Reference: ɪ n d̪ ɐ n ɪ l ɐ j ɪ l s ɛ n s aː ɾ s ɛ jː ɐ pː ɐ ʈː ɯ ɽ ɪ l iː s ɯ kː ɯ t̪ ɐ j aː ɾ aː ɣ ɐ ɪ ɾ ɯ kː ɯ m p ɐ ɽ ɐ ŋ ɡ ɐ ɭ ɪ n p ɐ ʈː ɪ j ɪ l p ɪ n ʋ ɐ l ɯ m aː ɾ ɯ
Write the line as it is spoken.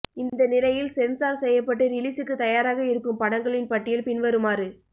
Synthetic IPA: ɪ n d̪ ɐ n ɪ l ɐ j ɪ l s ɛ n s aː ɾ s ɛ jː ɐ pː ɐ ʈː ɯ ɾ ɪ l iː s ɯ kː ɯ t̪ ɐ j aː ɾ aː ɣ ɐ ɪ ɾ ɯ kː ɯ m p ɐ ɽ ɐ ŋ ɡ ɐ ɭ ɪ n p ɐ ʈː ɪ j ɪ l p ɪ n ʋ ɐ ɾ ɯ m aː ɾ ɯ

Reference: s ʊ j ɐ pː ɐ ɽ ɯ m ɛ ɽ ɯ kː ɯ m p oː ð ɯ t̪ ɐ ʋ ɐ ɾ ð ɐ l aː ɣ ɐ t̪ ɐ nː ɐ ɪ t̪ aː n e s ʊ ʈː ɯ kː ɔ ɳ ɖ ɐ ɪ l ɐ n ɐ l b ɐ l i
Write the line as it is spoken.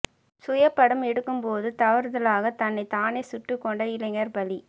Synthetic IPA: s ʊ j ɐ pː ɐ ɽ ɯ m ɛ ɽ ɯ kː ɯ m p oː ð ɯ t̪ ɐ ʋ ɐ ɾ ð ɐ l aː ɣ ɐ t̪ ɐ nː ɐ ɪ t̪ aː n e s ʊ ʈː ɯ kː ɔ ɳ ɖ ɐ ɪ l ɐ ŋ ɐ ɾ b ɐ l i

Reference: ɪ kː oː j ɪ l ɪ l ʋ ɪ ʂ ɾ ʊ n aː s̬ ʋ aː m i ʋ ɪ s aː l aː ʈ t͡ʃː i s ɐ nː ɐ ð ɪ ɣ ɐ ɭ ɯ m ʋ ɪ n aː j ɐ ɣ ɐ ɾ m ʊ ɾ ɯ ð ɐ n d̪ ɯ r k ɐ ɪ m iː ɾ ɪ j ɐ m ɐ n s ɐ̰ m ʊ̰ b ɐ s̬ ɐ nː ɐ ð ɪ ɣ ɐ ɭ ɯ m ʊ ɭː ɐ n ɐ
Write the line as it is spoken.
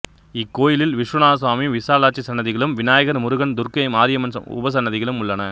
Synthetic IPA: ɪ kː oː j ɪ l ɪ l ʋ ɪ ʂ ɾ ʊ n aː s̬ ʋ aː m i ʋ ɪ s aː l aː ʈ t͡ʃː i s ɐ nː ɐ ð ɪ ɣ ɐ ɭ ɯ m ʋ ɪ n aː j ɐ ɣ ɐ ɾ m ʊ ɾ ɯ ɣ ɐ n d̪ ʊ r k ɐ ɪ m aː ɾ ɪ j ɐ m ɐ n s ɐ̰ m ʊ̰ b ɐ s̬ ɐ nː ɐ ð ɪ ɣ ɐ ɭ ɯ m ʊ ɭː ɐ n ɐ

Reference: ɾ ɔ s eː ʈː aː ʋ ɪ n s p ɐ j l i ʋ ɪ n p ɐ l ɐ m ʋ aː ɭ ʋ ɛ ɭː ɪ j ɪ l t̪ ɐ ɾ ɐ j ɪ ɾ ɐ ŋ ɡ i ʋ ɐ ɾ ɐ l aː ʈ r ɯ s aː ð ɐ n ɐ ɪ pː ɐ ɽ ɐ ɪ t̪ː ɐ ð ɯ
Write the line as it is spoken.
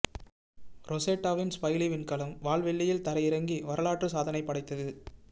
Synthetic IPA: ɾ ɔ s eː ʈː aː ʋ ɪ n s p ɐ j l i ʋ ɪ n k ɐ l ɐ m ʋ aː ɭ ʋ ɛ ɭː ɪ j ɪ l t̪ ɐ ɾ ɐ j ɪ ɾ ɐ ŋ ɡ i ʋ ɐ ɾ ɐ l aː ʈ r ɯ s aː ð ɐ n ɐ ɪ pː ɐ ɽ ɐ ɪ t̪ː ɐ ð ɯ

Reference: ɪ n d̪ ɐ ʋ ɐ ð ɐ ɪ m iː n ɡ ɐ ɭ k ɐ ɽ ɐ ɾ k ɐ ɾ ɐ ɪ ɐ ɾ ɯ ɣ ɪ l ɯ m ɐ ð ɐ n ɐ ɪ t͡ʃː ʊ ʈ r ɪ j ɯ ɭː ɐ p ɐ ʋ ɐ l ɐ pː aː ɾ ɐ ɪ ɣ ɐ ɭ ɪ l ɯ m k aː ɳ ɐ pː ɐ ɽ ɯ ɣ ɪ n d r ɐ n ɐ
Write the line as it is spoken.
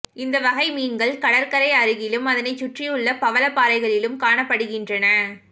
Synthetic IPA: ɪ n d̪ ɐ ʋ ɐ ɣ ɐ ɪ m iː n ɡ ɐ ɭ k ɐ ɽ ɐ ɾ k ɐ ɾ ɐ ɪ ɐ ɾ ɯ ɣ ɪ l ɯ m ɐ ð ɐ n ɐ ɪ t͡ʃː ʊ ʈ r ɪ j ɯ ɭː ɐ p ɐ ʋ ɐ l ɐ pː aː ɾ ɐ ɪ ɣ ɐ ɭ ɪ l ɯ m k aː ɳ ɐ pː ɐ ɽ ɯ ɣ ɪ n d r ɐ n ɐ

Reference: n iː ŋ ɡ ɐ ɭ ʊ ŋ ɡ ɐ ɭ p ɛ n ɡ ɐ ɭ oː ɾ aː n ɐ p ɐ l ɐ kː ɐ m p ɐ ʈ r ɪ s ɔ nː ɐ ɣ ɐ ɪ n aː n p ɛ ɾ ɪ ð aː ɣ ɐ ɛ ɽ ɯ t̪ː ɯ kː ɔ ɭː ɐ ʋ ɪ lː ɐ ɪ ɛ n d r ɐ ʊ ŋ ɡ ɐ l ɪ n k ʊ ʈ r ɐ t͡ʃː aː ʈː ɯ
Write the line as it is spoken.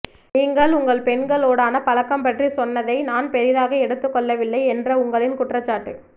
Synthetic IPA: n iː ŋ ɡ ɐ ɭ ʊ ŋ ɡ ɐ ɭ p ɛ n ɡ ɐ ɭ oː ɽ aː n ɐ p ɐ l ɐ kː ɐ m p ɐ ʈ r i s ɔ nː ɐ ð ɐ ɪ n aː n p ɛ ɾ ɪ ð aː ɣ ɐ ɛ ɽ ɯ t̪ː ɯ kː ɔ ɭː ɐ ʋ ɪ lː ɐ ɪ ɛ n d r ɐ ʊ ŋ ɡ ɐ ɭ ɪ n k ʊ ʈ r ɐ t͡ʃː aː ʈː ɯ

